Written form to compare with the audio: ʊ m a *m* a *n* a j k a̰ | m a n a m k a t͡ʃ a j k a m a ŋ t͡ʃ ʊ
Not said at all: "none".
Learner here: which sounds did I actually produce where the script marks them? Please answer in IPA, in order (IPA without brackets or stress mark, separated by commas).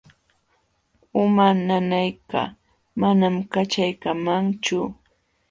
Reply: n, n